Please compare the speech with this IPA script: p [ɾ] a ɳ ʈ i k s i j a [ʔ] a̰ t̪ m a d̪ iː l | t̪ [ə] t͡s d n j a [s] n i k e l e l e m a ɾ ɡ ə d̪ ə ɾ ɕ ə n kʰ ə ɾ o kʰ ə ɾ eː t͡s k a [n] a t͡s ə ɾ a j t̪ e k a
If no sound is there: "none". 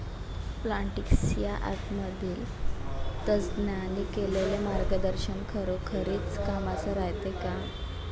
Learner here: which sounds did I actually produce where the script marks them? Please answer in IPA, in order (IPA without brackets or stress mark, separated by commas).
l, ʔ, ə, none, m